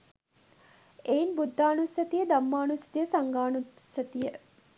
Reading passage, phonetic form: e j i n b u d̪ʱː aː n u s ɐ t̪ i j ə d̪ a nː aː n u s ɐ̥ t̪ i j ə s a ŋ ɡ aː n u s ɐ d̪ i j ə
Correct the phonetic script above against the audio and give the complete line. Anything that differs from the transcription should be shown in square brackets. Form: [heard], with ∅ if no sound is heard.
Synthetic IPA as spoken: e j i n b u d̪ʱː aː n u s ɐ t̪ i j ə d̪ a [mː] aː n u s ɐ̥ t̪ i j ə s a ŋ ɡ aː n u s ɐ [t̪] i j ə